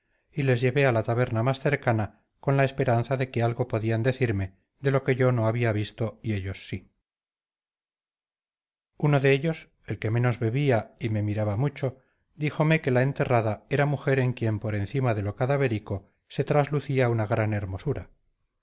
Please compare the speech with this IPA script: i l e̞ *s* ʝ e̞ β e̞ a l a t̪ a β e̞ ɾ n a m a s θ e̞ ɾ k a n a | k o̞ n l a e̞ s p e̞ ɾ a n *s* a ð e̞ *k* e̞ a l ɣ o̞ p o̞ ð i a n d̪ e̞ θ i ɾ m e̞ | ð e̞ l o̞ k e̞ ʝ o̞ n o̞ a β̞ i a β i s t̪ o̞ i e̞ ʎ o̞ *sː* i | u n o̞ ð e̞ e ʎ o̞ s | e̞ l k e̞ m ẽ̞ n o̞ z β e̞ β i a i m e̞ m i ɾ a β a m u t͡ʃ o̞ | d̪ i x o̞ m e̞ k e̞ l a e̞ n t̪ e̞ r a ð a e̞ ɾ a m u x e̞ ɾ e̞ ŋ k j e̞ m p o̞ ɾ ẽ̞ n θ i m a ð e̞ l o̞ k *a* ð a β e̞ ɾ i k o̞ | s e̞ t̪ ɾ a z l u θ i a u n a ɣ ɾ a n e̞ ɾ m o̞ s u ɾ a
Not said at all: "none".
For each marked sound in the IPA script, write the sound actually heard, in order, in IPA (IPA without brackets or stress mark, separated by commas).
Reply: z, θ, k, sː, a